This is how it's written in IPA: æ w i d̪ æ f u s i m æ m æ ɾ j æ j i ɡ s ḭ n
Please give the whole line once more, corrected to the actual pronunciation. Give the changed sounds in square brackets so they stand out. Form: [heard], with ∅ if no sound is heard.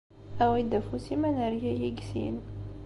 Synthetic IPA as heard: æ w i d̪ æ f u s i m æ [n] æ ɾ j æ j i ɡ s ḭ n